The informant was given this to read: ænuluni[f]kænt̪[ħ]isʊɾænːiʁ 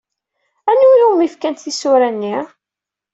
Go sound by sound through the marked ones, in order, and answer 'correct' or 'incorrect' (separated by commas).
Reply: correct, incorrect